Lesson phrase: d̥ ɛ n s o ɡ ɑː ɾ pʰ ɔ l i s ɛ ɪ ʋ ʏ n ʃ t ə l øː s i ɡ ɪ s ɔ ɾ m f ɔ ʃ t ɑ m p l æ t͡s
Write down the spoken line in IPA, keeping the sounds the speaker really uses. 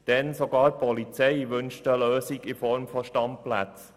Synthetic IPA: d̥ ɛ n s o ɡ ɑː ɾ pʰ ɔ l i t͡s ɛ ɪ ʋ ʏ n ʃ t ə l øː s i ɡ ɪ f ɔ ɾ m f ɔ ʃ t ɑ m p l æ t͡s